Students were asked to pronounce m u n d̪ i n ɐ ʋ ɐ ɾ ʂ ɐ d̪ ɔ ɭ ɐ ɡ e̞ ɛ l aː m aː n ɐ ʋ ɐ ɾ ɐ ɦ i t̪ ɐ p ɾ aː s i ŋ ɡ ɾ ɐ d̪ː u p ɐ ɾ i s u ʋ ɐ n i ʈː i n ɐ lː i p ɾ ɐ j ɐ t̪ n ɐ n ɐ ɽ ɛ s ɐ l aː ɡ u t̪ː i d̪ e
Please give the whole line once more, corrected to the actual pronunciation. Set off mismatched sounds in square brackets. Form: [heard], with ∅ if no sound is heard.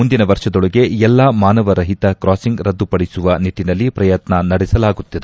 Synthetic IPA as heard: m u n d̪ i n ɐ ʋ ɐ ɾ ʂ ɐ d̪ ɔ ɭ ɐ ɡ e̞ ɛ [lː] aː m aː n ɐ ʋ ɐ ɾ ɐ ɦ i t̪ ɐ [k] ɾ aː s i ŋ ɡ ɾ ɐ d̪ː u p ɐ [ɽ] i s u ʋ ɐ n i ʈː i n ɐ lː i p ɾ ɐ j ɐ t̪ n ɐ n ɐ ɽ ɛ s ɐ l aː ɡ u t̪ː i d̪ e